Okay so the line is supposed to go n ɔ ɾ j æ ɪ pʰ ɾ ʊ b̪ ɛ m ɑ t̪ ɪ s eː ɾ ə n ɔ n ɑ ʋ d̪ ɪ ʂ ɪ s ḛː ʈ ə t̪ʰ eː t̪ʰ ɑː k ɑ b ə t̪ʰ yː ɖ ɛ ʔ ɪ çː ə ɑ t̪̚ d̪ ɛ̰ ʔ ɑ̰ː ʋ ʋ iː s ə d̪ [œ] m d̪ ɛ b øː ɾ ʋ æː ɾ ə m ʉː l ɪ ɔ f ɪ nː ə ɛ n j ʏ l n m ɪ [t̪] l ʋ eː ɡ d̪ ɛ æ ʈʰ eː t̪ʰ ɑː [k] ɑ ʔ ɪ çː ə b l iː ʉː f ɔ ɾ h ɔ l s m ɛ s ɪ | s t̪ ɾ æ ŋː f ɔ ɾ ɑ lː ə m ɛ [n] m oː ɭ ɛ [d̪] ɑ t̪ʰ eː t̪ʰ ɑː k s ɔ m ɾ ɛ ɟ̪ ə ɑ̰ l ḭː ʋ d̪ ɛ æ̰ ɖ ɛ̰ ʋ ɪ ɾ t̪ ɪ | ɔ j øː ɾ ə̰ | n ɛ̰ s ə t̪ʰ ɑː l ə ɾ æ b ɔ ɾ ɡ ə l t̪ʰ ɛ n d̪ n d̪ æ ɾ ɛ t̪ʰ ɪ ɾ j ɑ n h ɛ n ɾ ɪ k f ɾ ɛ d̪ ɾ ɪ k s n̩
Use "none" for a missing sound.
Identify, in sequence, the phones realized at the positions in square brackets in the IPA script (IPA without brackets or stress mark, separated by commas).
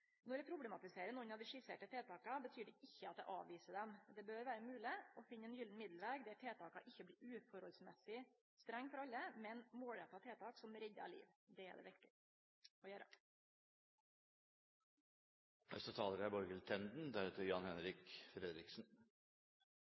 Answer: ɛ, d̪, k, n, t̪